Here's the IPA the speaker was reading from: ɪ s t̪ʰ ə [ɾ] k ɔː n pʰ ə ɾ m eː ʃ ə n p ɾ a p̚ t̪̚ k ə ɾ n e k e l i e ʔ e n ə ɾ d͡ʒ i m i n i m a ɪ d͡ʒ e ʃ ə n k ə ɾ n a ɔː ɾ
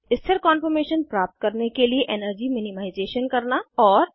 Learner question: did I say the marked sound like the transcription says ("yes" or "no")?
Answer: yes